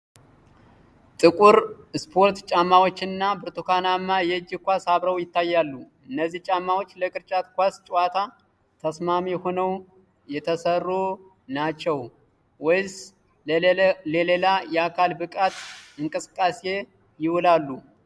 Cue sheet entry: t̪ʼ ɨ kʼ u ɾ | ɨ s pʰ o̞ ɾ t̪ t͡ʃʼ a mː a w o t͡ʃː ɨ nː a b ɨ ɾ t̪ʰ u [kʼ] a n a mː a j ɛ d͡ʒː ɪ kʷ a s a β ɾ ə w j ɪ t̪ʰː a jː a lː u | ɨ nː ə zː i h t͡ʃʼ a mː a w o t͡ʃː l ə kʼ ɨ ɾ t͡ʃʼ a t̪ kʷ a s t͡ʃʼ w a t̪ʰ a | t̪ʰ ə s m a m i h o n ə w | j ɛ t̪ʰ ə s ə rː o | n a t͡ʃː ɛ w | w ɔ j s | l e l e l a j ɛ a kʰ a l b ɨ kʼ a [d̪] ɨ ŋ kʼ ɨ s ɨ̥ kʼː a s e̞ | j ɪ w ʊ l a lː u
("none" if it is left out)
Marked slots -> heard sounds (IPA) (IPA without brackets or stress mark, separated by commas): k, t̪